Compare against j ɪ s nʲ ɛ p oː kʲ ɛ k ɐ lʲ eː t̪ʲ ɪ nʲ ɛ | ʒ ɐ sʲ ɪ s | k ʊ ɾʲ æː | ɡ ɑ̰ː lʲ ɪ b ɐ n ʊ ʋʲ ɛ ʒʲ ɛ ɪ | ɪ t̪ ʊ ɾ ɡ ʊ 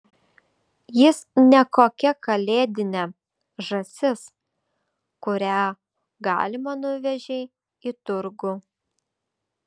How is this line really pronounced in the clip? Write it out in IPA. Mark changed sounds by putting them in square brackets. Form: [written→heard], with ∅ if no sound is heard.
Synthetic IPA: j ɪ s nʲ ɛ [p→k] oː kʲ ɛ k ɐ lʲ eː [t̪ʲ→d̪ʲ] ɪ nʲ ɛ | ʒ ɐ sʲ ɪ s | k ʊ ɾʲ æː | ɡ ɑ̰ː lʲ ɪ [b→m] ɐ n ʊ ʋʲ ɛ ʒʲ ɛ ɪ | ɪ t̪ ʊ ɾ ɡ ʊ